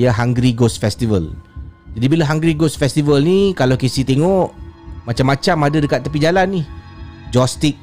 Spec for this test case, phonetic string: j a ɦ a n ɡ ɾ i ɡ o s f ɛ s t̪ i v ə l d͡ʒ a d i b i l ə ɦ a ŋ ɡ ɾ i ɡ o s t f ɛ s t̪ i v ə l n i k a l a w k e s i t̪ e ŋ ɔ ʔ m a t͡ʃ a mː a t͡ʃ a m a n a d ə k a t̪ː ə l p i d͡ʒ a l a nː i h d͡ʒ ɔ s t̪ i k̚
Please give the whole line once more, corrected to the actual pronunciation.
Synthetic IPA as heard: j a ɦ a ŋ ɡ ɾ i ɡ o s f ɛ s t̪ i v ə l d͡ʒ a d i b i l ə ɦ a ŋ ɡ ɾ i ɡ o s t f ɛ s t̪ i v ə l n i k a l a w k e s i t̪ e ŋ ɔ ʔ m a t͡ʃ a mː a t͡ʃ a m a d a d ə k a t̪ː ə p i d͡ʒ a l a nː i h d͡ʒ ɔ s t̪ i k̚